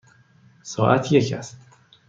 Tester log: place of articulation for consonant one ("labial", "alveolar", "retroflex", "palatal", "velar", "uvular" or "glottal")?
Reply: alveolar